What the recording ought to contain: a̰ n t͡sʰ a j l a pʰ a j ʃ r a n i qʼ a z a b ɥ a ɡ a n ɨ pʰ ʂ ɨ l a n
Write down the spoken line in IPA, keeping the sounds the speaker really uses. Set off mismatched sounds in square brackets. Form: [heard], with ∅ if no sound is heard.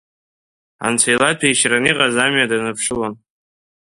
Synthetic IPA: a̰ n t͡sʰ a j l a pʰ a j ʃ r a n i qʼ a z a [m] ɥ a [d] a n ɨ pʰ ʂ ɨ l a n